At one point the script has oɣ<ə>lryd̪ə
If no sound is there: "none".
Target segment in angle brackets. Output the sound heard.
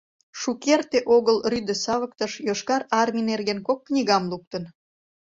ə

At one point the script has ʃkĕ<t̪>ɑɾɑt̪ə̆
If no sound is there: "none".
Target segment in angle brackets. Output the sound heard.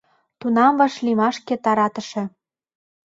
t̪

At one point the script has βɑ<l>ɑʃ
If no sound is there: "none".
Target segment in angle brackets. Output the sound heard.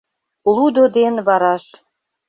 ɾ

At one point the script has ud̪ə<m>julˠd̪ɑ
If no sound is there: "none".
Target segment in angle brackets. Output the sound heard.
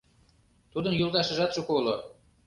n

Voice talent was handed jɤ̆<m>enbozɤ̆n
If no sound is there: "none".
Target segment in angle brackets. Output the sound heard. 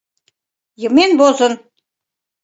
m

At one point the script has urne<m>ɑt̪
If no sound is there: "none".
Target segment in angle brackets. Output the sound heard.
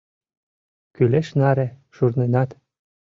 n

